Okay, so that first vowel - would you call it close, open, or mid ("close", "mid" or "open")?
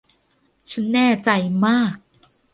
open